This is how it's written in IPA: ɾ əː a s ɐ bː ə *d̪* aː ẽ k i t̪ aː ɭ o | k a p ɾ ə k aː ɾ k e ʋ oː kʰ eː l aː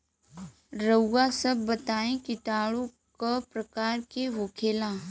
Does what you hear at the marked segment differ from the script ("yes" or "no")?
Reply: yes